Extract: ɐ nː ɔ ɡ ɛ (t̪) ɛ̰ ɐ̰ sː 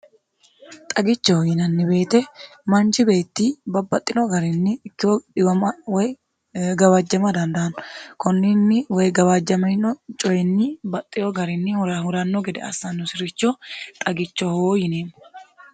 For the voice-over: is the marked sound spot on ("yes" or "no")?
no